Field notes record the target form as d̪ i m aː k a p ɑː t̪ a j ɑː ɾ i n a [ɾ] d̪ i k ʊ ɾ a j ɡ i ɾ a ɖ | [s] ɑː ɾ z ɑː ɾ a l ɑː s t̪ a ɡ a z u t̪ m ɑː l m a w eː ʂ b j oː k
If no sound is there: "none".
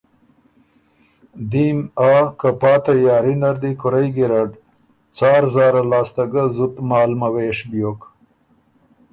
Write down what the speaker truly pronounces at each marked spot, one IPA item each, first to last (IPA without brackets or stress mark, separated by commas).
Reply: ɾ, t͡s